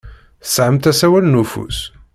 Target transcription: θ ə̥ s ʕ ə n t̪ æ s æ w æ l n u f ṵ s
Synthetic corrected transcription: θ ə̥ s ʕ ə m t̪ æ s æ w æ l n u f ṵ s